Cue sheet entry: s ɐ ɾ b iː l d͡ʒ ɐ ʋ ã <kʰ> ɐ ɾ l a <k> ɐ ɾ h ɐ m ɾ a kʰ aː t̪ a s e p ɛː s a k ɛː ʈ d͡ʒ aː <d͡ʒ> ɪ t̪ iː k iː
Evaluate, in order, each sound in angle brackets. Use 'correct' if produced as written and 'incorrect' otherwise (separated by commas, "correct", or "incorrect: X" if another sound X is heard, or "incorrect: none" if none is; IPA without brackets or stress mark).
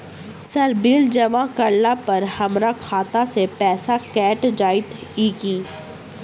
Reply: incorrect: k, incorrect: p, incorrect: none